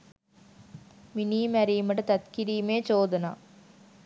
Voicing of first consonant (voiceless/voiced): voiced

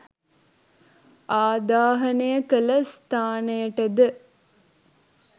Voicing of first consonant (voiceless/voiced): voiced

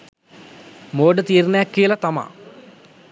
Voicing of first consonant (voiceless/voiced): voiced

